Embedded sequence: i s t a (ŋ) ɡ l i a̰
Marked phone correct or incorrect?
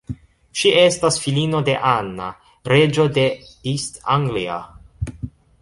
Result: correct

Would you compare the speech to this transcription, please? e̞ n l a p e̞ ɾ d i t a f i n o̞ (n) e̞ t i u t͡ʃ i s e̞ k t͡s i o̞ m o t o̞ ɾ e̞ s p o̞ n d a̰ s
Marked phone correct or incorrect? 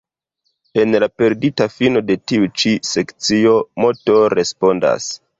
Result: incorrect: d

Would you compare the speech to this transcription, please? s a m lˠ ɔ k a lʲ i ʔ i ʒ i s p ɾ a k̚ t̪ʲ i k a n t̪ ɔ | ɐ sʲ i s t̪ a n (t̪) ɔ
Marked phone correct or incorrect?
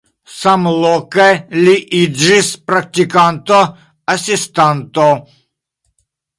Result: correct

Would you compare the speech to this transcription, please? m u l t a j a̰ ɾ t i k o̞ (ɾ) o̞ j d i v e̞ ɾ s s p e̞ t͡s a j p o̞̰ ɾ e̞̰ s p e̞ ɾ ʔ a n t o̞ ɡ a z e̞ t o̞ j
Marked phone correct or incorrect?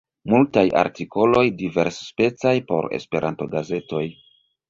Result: incorrect: l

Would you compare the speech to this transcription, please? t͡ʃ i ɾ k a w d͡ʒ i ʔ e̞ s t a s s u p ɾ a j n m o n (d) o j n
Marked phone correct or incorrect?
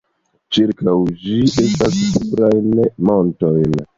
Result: incorrect: t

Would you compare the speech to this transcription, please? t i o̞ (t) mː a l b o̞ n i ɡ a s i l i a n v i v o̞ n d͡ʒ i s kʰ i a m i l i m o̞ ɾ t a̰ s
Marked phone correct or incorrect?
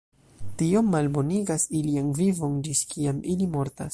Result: incorrect: none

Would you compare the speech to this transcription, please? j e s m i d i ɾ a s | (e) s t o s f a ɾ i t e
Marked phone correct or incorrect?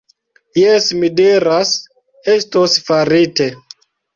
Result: correct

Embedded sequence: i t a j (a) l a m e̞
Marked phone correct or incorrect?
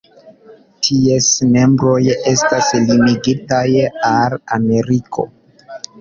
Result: correct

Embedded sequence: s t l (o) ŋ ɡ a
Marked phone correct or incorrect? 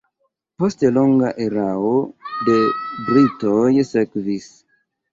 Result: correct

